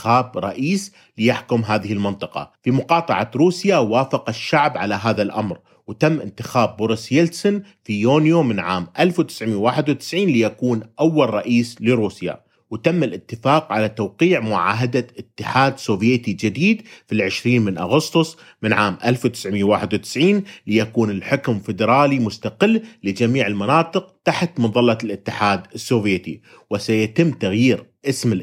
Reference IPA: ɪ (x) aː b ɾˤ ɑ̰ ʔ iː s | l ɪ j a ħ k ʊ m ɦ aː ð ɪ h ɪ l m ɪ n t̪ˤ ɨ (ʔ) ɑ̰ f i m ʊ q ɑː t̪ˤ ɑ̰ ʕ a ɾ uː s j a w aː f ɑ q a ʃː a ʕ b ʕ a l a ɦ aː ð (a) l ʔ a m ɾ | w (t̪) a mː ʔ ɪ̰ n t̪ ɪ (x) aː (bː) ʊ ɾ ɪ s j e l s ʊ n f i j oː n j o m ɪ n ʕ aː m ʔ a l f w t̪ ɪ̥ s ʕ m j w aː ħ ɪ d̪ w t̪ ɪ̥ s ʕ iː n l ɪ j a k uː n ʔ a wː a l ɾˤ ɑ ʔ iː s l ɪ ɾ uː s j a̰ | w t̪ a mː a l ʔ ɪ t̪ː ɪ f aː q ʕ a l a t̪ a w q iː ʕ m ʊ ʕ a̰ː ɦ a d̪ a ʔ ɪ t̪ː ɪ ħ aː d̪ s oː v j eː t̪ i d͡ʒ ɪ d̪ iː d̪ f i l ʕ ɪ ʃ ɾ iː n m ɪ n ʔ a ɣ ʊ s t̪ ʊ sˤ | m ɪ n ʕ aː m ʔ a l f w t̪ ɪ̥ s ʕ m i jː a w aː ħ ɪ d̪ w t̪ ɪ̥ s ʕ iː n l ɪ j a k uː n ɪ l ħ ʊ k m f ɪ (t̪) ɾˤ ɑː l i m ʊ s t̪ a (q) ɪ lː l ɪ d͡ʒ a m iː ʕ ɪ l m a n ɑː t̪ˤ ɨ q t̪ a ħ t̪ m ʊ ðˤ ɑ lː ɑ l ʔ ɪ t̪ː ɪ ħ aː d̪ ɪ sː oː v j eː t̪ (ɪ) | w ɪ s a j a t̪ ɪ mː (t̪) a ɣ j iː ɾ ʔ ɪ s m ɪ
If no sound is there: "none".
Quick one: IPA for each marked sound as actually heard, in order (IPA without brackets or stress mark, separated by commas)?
x, q, a, t̪, x, bː, d̪, q, i, t̪